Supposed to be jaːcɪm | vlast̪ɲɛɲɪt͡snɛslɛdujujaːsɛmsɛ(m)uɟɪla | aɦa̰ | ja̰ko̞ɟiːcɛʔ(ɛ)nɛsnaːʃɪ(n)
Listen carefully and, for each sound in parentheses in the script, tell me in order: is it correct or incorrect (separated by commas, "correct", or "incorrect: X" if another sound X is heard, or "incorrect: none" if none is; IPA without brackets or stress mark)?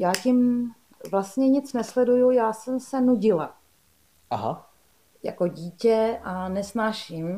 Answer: incorrect: n, incorrect: a, incorrect: m